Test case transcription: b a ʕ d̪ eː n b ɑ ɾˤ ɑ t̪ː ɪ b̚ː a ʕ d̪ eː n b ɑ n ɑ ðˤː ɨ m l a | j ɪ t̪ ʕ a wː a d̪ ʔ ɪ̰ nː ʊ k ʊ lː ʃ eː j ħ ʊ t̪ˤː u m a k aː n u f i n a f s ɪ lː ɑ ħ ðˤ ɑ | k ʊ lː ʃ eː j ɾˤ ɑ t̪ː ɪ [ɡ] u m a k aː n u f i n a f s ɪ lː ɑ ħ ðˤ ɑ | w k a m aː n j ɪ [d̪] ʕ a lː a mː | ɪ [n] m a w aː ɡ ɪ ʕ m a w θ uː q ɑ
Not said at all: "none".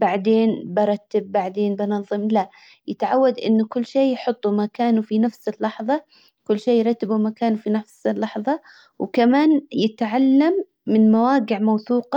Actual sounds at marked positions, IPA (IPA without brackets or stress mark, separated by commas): b, t̪, n